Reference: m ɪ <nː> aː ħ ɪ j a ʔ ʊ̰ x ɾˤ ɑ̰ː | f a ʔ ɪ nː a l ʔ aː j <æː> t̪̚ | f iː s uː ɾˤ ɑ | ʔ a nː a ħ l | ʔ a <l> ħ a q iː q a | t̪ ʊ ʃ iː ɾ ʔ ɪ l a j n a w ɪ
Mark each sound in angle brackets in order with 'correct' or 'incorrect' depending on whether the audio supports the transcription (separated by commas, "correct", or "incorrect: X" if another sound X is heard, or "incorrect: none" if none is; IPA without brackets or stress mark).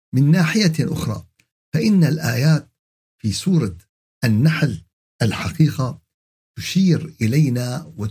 correct, incorrect: aː, correct